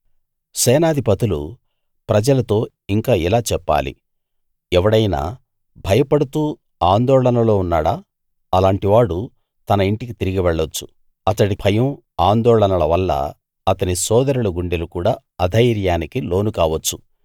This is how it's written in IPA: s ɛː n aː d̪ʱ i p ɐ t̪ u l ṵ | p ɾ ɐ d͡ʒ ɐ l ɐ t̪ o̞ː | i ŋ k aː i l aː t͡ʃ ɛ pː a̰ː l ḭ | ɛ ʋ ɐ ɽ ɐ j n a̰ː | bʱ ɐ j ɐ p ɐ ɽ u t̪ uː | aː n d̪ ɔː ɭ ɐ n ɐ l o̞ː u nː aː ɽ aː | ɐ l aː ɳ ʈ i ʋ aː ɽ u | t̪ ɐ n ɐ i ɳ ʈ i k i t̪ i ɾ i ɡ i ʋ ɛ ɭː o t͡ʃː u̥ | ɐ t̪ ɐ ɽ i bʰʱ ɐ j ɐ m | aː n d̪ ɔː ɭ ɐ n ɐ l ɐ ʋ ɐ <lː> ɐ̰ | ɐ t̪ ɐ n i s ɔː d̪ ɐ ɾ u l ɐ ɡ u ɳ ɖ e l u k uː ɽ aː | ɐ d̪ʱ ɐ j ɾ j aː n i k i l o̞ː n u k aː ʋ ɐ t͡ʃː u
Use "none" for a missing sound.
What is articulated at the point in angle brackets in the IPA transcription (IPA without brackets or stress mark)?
lː